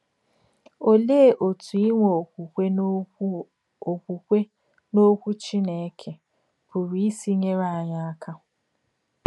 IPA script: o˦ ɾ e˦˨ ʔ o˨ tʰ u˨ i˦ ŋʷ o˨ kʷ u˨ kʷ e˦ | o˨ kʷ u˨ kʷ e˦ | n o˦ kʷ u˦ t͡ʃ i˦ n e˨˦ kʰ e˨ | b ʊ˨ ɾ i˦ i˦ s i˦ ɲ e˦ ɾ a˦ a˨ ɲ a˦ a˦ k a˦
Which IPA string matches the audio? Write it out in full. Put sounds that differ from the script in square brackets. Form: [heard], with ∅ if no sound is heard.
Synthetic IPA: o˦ [l] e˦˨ ʔ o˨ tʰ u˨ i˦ ŋʷ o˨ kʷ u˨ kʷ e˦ | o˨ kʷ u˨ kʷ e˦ | n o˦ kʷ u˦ t͡ʃ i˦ n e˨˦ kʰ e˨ | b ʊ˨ ɾ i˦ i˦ s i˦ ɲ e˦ ɾ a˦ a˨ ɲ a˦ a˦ k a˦

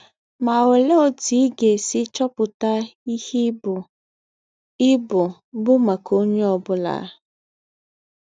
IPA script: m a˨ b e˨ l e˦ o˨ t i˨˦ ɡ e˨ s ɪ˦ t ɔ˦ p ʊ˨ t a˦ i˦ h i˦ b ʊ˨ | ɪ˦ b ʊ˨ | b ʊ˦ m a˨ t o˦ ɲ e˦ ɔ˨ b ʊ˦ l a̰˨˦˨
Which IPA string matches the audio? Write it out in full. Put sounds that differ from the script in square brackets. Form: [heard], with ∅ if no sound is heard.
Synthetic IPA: m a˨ [w] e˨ l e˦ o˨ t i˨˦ ɡ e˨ s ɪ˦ [t͡ʃ] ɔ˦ p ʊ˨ t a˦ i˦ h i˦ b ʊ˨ | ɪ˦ b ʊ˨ | b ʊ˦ m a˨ [k] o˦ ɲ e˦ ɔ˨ b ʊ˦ l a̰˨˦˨

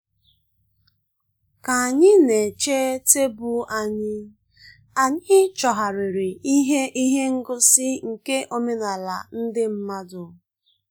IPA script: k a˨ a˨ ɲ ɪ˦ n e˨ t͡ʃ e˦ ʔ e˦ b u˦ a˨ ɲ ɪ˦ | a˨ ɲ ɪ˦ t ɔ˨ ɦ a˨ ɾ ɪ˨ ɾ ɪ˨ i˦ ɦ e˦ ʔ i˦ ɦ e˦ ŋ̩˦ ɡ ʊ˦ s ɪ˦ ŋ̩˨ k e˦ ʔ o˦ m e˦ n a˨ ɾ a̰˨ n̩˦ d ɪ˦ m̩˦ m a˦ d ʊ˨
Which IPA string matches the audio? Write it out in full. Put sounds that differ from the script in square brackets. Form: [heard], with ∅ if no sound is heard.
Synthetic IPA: k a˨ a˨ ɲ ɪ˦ n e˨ t͡ʃ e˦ [t] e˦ b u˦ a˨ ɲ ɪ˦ | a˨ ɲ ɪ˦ [t͡ʃ] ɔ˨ ɦ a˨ ɾ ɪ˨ ɾ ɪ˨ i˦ ɦ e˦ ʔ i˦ ɦ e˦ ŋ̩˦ ɡ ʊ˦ s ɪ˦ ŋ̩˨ k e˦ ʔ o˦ m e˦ n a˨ [l] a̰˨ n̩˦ d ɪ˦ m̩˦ m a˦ d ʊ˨

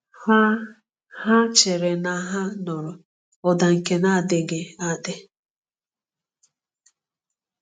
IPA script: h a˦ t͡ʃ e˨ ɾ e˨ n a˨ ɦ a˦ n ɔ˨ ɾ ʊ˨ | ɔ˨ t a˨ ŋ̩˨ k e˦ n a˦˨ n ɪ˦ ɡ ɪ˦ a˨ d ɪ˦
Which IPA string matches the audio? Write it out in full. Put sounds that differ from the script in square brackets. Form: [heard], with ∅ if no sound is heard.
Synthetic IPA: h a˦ t͡ʃ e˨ ɾ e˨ n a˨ ɦ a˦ n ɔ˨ ɾ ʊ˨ | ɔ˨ [d] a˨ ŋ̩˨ k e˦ n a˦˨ [d] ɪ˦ ɡ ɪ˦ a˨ d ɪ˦

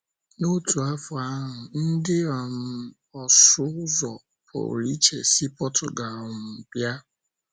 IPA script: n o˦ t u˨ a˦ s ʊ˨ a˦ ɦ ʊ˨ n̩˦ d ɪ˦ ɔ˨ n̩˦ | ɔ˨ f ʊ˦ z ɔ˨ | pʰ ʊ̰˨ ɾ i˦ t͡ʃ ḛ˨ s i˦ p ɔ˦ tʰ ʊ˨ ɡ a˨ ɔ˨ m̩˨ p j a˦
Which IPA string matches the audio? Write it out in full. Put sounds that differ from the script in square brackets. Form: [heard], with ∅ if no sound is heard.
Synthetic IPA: n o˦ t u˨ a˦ [f] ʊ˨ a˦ ɦ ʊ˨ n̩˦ d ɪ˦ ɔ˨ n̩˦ | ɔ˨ [s] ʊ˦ z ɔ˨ | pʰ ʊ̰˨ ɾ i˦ t͡ʃ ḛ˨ s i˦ p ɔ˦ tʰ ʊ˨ ɡ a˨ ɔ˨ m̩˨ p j a˦

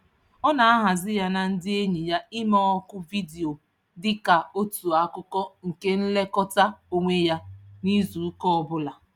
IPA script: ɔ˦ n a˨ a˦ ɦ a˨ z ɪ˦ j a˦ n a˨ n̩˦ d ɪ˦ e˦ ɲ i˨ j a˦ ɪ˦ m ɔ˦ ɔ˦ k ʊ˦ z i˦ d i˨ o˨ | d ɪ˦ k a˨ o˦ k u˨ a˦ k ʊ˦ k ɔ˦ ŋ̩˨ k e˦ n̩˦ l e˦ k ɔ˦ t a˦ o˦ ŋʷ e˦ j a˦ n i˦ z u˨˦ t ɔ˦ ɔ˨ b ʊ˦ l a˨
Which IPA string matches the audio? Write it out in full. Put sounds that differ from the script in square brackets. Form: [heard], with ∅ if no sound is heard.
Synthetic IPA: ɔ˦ n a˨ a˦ ɦ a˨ z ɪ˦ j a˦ n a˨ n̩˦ d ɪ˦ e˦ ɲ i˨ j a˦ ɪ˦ m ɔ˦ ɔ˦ k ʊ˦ [v] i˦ d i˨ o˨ | d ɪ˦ k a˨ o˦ [t] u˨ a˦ k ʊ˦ k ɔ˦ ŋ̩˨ k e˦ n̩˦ l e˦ k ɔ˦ t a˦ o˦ ŋʷ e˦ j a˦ n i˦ z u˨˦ [k] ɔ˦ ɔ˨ b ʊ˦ l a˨

